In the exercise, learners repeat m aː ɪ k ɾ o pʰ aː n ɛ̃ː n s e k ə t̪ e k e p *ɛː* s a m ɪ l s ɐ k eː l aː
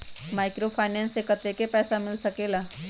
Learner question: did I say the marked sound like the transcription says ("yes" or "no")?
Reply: yes